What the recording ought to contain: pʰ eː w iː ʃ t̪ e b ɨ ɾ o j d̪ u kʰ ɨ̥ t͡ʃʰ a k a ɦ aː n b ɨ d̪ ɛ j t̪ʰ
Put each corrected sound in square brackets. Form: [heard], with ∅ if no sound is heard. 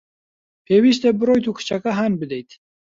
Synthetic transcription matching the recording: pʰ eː w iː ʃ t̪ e b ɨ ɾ o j [t̪] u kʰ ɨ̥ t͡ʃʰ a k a ɦ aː n b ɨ d̪ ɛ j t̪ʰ